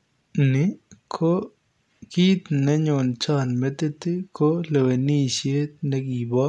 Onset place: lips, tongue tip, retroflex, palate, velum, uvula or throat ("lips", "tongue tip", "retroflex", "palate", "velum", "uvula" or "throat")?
tongue tip